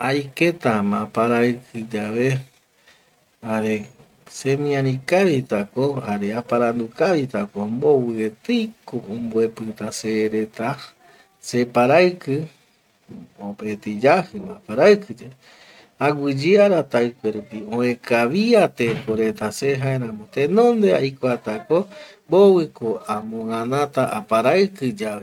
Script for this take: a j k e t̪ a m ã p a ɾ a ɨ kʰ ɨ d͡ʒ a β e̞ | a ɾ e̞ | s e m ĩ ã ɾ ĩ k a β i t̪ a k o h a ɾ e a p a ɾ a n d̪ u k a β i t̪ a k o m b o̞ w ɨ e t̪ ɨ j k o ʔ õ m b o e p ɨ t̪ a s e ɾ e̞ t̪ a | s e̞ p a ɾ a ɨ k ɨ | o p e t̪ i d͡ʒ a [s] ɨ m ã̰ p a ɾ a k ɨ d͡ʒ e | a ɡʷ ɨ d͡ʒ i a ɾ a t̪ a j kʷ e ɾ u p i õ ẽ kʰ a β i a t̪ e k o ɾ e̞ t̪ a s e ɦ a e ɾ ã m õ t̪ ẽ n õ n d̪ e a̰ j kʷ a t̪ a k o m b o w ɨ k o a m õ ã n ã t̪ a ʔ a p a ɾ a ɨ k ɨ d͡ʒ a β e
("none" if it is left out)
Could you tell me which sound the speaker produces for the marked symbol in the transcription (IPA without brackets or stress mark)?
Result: h